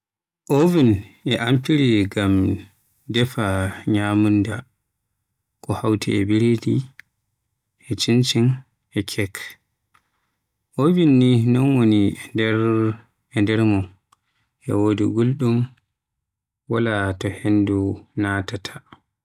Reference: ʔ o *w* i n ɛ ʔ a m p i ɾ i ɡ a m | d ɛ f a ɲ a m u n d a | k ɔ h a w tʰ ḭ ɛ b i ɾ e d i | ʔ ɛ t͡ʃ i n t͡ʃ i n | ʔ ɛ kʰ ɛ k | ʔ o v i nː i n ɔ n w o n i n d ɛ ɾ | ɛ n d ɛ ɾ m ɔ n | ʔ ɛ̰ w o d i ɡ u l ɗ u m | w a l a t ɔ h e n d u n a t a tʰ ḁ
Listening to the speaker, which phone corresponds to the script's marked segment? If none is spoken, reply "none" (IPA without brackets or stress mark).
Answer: v